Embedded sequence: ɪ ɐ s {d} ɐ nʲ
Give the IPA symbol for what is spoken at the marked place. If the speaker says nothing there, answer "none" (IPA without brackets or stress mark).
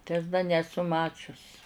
d